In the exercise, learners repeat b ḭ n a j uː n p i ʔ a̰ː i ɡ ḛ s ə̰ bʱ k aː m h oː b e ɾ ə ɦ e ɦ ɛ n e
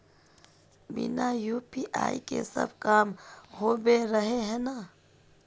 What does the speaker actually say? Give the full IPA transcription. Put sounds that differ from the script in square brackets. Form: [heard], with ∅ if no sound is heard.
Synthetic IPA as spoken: b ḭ n a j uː [∅] p i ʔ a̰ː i [k] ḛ s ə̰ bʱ k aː m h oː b e ɾ ə ɦ e ɦ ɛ n [a]